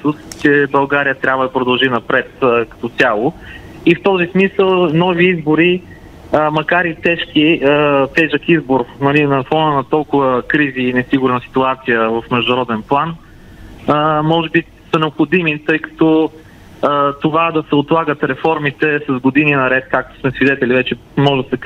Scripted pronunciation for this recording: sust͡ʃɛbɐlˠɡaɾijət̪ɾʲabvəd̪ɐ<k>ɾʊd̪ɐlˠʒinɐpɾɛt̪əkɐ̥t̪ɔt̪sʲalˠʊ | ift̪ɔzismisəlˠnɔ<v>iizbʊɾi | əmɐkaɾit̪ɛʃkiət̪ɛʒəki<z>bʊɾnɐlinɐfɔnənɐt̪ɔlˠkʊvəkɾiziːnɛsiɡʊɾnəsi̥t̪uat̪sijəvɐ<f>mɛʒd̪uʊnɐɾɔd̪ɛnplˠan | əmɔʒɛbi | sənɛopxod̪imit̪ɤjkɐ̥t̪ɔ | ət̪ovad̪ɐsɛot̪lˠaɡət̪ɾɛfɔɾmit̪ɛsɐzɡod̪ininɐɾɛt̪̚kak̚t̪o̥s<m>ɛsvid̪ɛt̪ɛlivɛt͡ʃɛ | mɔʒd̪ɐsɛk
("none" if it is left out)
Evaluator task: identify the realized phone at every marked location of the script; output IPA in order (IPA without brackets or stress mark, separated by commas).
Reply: p, v, z, f, m